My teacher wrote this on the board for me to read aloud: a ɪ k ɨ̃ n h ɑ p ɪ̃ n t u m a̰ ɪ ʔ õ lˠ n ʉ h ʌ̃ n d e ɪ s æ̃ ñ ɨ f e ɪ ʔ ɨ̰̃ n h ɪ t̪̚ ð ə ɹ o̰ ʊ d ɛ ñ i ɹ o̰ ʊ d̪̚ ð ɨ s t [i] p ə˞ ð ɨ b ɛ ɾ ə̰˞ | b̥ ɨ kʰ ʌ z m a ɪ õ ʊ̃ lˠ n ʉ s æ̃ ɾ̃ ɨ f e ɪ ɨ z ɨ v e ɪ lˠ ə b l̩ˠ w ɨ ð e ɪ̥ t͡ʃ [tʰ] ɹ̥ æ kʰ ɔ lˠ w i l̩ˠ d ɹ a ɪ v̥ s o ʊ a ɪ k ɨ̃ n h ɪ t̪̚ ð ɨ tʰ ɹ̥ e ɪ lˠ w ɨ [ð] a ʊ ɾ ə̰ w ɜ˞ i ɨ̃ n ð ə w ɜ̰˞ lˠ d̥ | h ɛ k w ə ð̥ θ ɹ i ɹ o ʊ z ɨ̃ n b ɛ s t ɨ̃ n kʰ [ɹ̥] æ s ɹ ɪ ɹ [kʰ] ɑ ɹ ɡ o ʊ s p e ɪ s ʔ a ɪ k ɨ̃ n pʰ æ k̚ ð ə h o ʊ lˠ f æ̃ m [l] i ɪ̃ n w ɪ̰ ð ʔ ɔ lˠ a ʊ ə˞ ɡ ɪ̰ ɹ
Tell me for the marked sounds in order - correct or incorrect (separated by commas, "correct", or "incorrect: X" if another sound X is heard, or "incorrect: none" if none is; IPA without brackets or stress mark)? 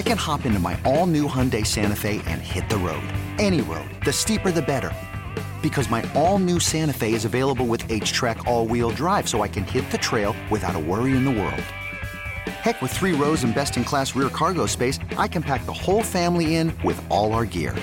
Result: correct, correct, incorrect: θ, incorrect: l̥, correct, correct